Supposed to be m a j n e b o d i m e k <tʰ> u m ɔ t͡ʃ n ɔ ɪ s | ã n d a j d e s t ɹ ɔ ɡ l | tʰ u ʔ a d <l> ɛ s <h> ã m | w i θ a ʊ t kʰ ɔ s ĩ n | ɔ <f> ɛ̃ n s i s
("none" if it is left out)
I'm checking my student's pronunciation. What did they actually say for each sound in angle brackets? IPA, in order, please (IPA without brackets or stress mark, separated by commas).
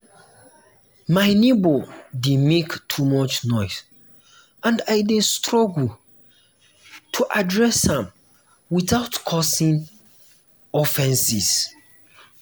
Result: tʰ, ɹ, h, f